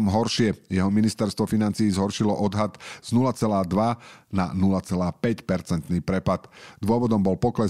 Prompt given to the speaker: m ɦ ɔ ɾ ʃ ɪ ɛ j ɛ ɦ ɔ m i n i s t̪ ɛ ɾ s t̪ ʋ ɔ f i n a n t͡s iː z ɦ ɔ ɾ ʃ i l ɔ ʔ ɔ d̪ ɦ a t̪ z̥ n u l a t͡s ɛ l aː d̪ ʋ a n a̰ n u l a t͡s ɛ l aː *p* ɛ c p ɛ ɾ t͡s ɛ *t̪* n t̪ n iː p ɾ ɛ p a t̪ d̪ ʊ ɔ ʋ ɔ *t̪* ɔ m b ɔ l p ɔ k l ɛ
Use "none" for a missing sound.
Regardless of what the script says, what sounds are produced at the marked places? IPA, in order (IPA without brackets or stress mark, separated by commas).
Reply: p, none, d̪